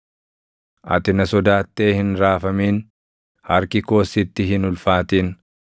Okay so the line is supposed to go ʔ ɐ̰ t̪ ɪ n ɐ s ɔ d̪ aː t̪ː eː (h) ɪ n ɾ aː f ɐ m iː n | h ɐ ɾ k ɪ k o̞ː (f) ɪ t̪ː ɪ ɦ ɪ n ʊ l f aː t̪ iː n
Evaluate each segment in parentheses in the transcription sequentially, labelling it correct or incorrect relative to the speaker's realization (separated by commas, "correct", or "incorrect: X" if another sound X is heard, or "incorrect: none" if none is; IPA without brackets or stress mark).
correct, incorrect: s